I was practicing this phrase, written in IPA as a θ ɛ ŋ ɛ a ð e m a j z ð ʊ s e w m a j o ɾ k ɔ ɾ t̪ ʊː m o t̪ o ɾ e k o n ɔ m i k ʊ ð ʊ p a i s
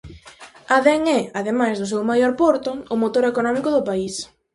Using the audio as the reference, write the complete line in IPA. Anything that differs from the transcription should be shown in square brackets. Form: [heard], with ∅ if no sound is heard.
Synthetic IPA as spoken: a [ð] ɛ ŋ ɛ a ð e m a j z ð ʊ s e w m a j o ɾ [p] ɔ ɾ t̪ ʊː m o t̪ o ɾ e k o n ɔ m i k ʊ ð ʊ p a i s